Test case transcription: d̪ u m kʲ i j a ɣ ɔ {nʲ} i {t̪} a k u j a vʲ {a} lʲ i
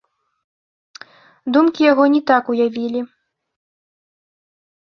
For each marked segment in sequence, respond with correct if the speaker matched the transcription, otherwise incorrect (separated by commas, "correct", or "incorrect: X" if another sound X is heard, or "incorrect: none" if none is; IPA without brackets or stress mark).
correct, correct, incorrect: i